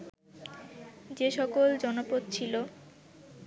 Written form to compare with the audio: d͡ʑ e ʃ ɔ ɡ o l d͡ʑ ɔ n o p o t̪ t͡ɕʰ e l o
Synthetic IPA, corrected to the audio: d͡ʑ e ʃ ɔ k o l d͡ʑ ɔ n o p o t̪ t͡ɕʰ i l o